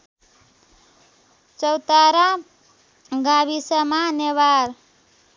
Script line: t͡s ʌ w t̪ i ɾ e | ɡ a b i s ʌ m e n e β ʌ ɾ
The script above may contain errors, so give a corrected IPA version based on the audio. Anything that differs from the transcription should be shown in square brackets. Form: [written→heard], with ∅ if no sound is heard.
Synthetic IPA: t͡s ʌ w t̪ [i→a] ɾ [e→a] | ɡ a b i s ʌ m [e→a] n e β [ʌ→a] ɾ